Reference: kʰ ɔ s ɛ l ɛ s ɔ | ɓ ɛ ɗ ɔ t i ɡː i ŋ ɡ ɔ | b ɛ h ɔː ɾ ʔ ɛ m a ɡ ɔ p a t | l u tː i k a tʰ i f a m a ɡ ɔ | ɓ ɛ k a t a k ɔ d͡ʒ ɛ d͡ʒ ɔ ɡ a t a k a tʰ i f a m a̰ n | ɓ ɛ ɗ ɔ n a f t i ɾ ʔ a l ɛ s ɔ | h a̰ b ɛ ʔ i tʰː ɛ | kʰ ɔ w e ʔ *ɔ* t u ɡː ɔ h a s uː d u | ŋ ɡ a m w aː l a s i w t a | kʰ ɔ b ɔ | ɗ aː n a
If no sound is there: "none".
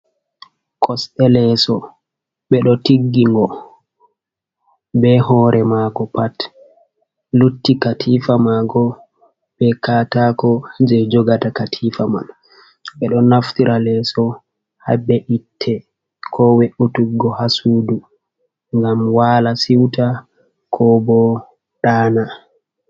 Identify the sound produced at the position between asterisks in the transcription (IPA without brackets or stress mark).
u